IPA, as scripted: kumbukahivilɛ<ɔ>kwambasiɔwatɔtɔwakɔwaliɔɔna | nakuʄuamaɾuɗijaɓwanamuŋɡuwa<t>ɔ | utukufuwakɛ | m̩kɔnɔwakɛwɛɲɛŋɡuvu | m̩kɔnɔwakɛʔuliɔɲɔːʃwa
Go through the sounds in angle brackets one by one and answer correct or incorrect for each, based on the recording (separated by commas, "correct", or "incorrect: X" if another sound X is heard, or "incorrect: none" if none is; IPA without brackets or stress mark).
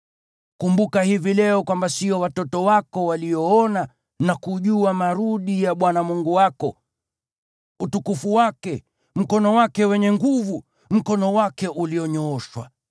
correct, incorrect: k